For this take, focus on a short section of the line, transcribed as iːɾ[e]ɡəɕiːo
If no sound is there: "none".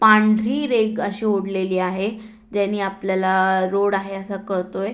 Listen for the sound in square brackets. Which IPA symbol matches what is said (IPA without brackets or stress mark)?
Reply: e